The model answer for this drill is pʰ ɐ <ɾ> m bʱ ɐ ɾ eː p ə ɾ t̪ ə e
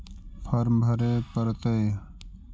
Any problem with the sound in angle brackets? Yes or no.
no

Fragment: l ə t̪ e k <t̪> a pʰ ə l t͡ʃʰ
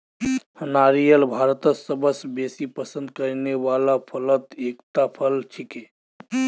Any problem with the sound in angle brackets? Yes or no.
no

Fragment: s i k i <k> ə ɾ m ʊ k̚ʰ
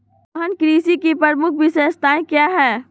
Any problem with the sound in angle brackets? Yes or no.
yes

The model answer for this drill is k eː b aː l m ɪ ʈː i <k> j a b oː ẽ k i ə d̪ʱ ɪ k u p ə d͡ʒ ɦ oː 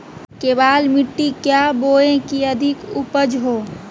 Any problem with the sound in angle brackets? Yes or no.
no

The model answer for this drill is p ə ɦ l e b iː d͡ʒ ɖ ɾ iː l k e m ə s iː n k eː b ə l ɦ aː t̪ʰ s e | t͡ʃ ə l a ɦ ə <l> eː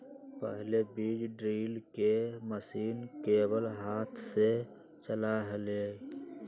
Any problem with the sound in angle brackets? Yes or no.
no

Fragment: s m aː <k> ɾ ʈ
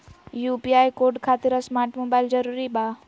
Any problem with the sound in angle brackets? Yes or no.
yes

